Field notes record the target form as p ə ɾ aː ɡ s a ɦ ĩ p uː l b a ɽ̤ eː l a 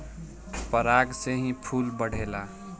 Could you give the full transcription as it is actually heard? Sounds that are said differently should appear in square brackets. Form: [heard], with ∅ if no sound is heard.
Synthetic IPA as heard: p ə ɾ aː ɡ s [e] ɦ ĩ [pʰ] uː l b [ə] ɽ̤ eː l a